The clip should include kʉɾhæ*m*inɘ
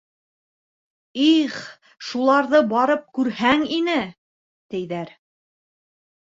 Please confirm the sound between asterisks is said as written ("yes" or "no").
no